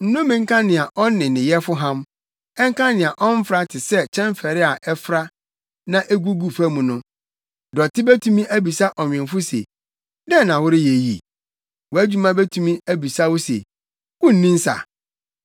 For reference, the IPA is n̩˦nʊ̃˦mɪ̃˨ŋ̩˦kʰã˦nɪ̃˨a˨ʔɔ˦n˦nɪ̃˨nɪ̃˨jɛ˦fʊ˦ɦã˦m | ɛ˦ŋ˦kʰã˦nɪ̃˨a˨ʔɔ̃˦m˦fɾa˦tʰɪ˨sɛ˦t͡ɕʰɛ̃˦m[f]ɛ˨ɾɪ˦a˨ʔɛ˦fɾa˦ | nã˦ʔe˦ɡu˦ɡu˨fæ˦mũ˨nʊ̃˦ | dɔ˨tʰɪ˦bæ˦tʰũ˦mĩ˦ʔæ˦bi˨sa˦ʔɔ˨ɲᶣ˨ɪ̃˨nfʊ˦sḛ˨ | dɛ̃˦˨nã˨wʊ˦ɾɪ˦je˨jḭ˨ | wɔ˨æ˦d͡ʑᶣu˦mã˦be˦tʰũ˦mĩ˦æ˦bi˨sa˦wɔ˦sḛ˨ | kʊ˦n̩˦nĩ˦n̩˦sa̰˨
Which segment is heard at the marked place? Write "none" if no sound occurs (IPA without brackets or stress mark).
f